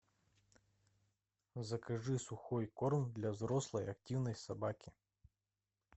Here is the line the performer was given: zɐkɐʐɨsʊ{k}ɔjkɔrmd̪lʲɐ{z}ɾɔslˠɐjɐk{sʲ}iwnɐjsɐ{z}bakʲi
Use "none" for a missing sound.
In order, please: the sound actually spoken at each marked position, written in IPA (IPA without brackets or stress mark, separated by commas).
x, z, tʲ, none